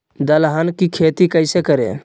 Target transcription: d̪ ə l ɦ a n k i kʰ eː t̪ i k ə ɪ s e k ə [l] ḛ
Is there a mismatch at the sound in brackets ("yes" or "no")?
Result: yes